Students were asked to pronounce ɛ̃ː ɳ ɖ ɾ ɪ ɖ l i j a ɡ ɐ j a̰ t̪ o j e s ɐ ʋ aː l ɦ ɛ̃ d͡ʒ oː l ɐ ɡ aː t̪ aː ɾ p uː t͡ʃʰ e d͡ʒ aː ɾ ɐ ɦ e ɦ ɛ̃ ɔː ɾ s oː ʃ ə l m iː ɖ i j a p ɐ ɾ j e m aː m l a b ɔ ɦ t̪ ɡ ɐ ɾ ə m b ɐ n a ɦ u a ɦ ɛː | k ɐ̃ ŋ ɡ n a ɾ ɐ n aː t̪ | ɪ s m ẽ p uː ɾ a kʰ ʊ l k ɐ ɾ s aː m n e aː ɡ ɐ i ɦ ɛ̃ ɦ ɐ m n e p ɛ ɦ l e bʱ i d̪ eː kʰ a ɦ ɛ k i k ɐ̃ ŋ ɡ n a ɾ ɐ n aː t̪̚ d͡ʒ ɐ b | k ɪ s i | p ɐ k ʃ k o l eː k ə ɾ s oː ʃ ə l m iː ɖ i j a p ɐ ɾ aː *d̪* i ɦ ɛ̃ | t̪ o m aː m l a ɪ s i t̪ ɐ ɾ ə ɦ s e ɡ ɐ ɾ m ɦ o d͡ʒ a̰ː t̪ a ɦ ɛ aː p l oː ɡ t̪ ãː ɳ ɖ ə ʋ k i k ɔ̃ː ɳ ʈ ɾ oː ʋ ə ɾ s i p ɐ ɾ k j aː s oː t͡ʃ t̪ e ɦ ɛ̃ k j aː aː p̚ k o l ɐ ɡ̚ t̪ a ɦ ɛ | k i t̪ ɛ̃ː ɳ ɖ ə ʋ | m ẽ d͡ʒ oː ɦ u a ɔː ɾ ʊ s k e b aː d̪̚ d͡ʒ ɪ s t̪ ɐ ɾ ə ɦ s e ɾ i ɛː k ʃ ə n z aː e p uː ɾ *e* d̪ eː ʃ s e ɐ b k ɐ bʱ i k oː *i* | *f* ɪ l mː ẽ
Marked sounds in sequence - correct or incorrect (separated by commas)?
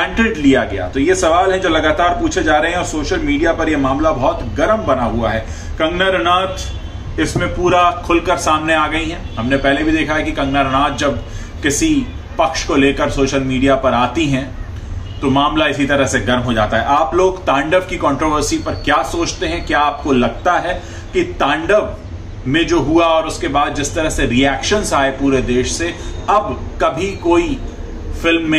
incorrect, correct, correct, correct